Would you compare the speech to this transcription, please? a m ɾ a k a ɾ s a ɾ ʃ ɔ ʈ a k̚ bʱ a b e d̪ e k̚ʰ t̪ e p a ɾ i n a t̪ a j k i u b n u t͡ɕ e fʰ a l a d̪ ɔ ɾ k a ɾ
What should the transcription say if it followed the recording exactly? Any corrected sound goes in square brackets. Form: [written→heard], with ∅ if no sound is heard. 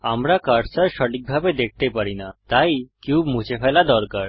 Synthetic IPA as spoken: a m ɾ a k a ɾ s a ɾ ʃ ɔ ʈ [a→i] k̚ bʱ a b e d̪ e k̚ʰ t̪ e p a ɾ i n a t̪ a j k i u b [n→m] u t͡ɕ e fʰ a l a d̪ ɔ ɾ k a ɾ

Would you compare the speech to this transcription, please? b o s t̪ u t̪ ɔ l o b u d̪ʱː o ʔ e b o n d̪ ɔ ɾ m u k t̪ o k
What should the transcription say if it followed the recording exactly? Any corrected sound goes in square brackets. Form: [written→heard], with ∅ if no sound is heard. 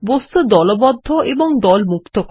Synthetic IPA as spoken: b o s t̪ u [t̪→d̪] ɔ l o b [u→ɔ] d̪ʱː o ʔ e b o [n→ŋ] d̪ ɔ [ɾ→l] m u k t̪ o k

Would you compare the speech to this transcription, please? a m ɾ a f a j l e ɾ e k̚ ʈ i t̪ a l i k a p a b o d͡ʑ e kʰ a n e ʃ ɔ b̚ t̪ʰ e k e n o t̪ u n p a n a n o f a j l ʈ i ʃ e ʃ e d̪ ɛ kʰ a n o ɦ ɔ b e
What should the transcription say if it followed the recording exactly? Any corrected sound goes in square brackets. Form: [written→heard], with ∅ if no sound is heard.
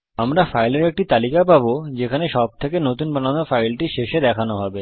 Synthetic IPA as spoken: a m ɾ a f a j l e ɾ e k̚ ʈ i t̪ a l i k a p a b o d͡ʑ e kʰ a n e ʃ ɔ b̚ t̪ʰ e k e n o t̪ u n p a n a n o f a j l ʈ i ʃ e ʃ e d̪ ɛ kʰ a n o ɦ ɔ b e

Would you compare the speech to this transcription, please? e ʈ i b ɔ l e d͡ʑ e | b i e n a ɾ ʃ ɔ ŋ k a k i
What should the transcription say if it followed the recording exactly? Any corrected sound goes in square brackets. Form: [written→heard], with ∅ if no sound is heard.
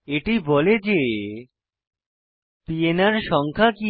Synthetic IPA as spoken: e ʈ i b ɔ l e d͡ʑ e | [b→p] i e n a ɾ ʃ ɔ ŋ [k→kʰ] a k i

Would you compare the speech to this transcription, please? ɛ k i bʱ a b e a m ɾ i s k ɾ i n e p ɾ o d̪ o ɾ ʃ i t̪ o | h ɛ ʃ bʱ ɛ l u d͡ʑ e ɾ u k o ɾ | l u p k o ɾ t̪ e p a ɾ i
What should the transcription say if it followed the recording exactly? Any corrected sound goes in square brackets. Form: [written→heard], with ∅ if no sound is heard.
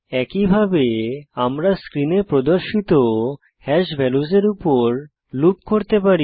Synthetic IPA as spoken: ɛ k i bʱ a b e a m ɾ [i→a] s k ɾ i n e p ɾ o d̪ o ɾ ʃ i t̪ o | h ɛ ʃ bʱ ɛ l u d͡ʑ e ɾ u [k→p] o ɾ | l u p k o ɾ t̪ e p a ɾ i

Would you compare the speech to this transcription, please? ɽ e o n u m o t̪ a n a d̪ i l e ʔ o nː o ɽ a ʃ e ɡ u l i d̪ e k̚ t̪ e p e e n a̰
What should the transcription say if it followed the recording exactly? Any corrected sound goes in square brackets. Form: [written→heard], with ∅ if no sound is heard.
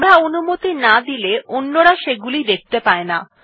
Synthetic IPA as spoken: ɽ [e→a] o n u m o t̪ [a→i] n a d̪ i l e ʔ o nː o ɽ a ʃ e ɡ u l i d̪ e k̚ t̪ e p [e→a] e n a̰

